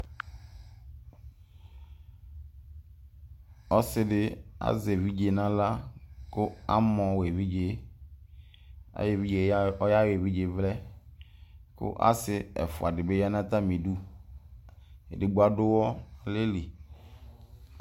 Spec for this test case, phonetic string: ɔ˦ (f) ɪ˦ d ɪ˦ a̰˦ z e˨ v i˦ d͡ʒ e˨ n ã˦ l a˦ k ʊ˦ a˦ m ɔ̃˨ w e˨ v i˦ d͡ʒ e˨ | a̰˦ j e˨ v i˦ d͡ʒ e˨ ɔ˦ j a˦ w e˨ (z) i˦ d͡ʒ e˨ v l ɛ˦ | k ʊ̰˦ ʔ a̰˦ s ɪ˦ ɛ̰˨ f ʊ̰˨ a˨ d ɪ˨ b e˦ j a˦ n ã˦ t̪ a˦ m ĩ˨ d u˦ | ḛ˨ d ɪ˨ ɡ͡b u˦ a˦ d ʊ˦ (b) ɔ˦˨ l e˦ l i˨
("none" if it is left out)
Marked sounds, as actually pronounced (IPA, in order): s, v, w

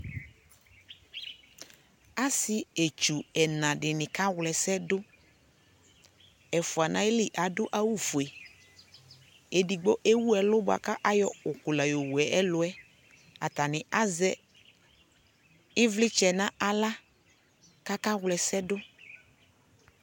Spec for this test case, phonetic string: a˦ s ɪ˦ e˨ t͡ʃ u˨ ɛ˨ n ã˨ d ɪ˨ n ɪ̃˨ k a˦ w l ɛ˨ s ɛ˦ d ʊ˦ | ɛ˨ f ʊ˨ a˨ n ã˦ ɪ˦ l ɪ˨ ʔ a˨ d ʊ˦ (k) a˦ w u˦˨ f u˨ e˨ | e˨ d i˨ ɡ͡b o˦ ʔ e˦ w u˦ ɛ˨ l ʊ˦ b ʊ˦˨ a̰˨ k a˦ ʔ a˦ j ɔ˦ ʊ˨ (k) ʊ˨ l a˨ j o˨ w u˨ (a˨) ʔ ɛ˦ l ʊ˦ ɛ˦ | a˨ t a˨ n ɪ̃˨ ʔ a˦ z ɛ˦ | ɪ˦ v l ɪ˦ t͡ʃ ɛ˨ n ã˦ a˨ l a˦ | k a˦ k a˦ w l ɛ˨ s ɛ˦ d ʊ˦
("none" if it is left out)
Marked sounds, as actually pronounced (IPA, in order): ʔ, k, ɛ˨

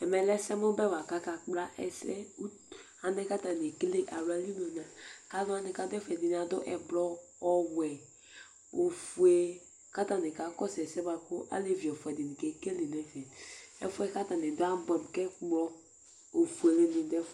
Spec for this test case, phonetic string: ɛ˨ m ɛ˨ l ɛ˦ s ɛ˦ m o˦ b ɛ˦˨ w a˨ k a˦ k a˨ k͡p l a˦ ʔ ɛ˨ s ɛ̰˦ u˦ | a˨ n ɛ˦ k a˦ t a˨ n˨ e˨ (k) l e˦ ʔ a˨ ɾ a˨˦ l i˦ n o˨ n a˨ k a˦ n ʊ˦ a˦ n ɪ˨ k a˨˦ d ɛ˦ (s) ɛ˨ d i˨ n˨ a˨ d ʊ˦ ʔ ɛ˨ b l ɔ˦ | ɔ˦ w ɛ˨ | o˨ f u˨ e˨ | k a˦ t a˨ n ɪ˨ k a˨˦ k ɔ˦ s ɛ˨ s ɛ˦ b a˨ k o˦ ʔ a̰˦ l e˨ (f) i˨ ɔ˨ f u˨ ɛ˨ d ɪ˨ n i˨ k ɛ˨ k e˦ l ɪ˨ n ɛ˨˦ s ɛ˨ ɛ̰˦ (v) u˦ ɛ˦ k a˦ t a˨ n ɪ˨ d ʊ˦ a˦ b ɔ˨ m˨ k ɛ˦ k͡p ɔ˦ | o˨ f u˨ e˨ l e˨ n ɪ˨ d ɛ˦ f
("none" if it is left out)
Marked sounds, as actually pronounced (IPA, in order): k, f, v, f

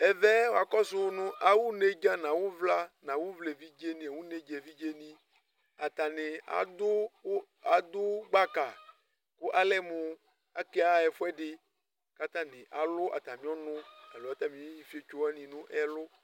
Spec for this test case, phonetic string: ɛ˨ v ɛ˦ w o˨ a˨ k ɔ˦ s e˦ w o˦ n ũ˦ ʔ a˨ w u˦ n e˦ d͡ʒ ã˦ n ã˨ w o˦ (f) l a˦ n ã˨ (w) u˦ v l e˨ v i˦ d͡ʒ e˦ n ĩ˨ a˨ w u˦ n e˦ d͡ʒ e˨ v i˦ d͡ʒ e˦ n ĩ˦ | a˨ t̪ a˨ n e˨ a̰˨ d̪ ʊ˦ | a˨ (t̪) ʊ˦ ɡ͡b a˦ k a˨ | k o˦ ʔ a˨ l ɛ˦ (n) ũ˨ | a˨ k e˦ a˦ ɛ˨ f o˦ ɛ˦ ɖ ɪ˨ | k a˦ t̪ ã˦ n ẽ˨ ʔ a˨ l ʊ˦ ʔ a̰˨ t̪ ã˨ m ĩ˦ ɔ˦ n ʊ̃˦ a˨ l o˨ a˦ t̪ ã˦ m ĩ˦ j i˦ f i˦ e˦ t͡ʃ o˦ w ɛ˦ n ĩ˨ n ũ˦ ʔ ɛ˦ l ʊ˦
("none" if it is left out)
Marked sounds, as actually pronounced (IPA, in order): v, w, d̪, m

